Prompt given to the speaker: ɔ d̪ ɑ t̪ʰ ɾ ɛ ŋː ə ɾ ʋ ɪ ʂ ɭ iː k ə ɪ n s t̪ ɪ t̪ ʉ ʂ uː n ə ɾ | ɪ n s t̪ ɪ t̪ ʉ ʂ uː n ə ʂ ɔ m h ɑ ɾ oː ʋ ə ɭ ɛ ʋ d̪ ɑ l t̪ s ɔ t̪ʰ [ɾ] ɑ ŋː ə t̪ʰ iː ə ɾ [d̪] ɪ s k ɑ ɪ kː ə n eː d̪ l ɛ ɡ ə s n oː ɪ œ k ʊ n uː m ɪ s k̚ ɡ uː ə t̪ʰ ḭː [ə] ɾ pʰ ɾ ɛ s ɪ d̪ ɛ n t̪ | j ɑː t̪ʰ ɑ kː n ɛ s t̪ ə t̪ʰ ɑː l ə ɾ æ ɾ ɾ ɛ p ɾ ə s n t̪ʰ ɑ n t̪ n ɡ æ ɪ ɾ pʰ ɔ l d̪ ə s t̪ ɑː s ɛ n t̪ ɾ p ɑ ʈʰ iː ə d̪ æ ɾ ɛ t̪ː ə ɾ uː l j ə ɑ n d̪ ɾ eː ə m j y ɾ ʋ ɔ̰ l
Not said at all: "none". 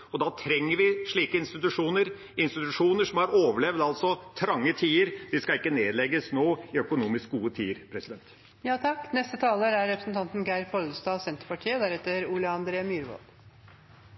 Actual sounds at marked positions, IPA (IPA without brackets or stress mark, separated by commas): ɾ, d̪, ə